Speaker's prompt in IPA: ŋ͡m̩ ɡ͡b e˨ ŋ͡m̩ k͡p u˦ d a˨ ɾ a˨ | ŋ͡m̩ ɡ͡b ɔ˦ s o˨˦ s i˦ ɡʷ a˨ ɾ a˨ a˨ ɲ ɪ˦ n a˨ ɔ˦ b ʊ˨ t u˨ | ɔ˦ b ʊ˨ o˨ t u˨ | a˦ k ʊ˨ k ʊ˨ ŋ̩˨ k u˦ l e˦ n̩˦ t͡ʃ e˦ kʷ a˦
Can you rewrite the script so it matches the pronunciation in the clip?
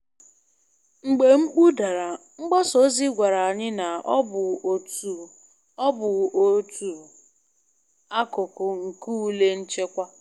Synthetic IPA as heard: ŋ͡m̩ ɡ͡b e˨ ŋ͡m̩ k͡p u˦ d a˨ ɾ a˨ | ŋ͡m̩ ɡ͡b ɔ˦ s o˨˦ z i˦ ɡʷ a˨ ɾ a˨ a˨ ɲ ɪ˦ n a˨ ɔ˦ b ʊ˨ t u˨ | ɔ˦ b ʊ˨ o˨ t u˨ | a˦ k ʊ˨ k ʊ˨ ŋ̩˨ k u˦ l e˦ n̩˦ t͡ʃ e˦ kʷ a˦

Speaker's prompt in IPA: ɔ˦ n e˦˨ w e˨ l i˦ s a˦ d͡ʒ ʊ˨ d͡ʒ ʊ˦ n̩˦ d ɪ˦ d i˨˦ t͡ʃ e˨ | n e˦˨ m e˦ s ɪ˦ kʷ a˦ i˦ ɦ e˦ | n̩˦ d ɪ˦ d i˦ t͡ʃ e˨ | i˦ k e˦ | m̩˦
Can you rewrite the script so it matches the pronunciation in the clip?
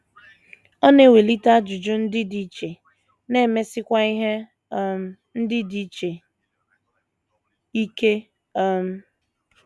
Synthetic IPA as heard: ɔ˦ n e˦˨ w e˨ l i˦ t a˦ d͡ʒ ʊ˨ d͡ʒ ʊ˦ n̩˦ d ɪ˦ d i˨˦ t͡ʃ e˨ | n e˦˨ m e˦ s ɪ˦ kʷ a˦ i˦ ɦ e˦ | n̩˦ d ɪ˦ d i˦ t͡ʃ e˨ | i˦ k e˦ | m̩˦

